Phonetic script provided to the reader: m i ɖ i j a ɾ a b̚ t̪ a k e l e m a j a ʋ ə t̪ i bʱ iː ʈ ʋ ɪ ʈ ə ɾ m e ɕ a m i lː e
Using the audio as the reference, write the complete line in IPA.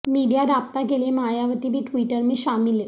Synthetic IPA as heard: m i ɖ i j a ɾ a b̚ t̪ a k e l e m a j a ʋ ə t̪ i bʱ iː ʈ ʋ i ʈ ə ɾ m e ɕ a m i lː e